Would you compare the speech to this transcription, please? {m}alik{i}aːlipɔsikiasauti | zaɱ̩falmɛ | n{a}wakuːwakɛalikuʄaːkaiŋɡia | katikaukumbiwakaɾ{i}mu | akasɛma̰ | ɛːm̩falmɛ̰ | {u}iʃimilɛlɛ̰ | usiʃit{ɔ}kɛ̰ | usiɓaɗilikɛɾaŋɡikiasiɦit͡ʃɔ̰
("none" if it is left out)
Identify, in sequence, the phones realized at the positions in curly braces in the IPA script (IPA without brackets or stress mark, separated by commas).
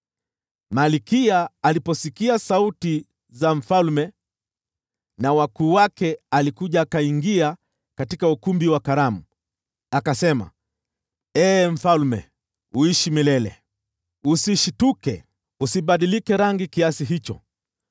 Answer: m, i, a, a, u, u